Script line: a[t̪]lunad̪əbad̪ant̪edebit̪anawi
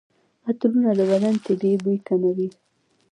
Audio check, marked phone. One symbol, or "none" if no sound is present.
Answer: t̪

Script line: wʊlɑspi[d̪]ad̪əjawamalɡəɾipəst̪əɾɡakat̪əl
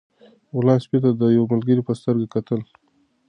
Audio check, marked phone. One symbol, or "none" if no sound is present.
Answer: t̪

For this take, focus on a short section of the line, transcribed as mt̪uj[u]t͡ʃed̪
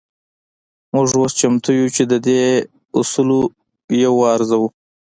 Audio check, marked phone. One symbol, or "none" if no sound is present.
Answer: u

